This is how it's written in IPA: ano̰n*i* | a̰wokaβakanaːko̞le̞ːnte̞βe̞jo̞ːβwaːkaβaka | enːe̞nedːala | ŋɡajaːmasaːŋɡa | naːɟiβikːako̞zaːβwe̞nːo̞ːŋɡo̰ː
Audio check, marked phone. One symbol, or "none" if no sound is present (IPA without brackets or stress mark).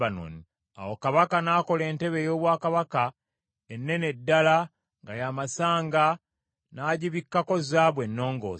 i